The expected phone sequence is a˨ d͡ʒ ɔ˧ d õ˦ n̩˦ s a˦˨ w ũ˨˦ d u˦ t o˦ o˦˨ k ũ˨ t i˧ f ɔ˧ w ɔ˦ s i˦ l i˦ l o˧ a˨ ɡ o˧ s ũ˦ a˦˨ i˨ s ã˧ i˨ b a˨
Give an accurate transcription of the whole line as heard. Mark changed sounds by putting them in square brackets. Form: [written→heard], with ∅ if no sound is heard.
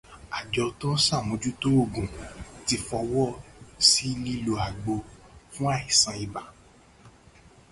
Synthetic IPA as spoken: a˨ d͡ʒ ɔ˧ [d→t] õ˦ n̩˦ s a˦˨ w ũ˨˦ [d→d͡ʒ] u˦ t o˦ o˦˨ [k→ɡ] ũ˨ t i˧ f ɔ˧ w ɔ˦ s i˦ l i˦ l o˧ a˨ [ɡ→ɡ͡b] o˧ [s→f] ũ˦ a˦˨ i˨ s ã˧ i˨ b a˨